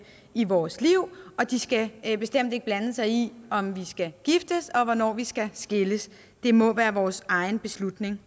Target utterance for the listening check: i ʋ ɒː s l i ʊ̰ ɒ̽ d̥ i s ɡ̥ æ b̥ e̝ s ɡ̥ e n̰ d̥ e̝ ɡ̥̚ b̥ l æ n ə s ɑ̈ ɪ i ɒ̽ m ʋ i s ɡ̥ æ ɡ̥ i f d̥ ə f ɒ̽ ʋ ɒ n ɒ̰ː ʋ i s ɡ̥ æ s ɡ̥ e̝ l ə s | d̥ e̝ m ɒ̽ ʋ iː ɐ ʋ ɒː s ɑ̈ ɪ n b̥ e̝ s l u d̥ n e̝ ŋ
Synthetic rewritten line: i ʋ ɒː s l i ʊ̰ ɒ̽ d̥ i s ɡ̥ æ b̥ e̝ s d̥ e m̰ d̥ e̝ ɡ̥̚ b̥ l æ n ə s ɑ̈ ɪ i ɒ̽ m ʋ i s ɡ̥ æ ɡ̥ i f d̥ ə s ɒ̽ ʋ ɒ n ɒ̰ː ʋ i s ɡ̥ æ s ɡ̥ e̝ l ə s | d̥ e̝ m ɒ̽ ʋ æː ɐ ʋ ɒː s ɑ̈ ɪ n b̥ e̝ s l u d̥ n e̝ ŋ